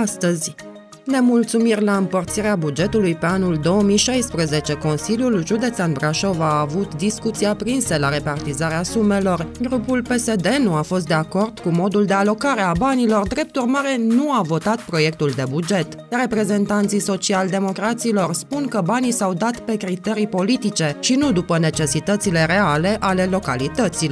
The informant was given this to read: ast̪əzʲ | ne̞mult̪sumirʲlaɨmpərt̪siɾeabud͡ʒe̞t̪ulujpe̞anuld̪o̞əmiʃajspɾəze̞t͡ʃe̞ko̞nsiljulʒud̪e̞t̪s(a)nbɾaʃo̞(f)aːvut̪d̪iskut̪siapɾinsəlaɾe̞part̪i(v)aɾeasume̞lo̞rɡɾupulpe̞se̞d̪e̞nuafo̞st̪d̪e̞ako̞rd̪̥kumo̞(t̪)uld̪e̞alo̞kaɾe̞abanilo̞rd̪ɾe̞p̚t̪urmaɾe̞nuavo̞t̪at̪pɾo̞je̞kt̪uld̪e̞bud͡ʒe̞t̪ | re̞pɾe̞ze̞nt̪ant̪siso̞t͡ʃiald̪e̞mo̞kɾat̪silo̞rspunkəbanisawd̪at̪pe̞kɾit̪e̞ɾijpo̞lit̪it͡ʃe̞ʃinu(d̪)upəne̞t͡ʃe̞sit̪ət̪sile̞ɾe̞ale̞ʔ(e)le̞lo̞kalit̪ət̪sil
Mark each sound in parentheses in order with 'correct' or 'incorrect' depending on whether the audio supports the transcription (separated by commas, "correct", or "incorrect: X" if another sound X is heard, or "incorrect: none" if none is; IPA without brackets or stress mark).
correct, incorrect: v, incorrect: z, incorrect: d̪, correct, incorrect: a